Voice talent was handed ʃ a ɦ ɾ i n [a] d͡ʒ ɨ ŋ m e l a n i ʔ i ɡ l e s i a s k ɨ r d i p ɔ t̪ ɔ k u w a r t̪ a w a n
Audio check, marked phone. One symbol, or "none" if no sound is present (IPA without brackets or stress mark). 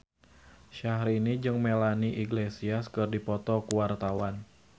i